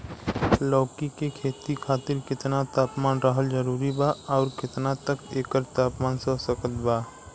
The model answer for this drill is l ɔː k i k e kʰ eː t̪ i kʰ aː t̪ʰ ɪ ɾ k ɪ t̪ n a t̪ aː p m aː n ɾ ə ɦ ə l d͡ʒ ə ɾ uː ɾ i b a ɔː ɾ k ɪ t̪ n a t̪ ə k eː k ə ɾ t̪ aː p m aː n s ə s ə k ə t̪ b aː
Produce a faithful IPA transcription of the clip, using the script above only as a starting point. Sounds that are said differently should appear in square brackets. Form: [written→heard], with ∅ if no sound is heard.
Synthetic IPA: l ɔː k i k e kʰ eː t̪ i kʰ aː [t̪ʰ→t̪] ɪ ɾ k ɪ t̪ n a t̪ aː p m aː n ɾ ə ɦ ə l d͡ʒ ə ɾ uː ɾ i b a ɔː ɾ k ɪ t̪ n a t̪ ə k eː k ə ɾ t̪ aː p m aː n s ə s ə k ə t̪ b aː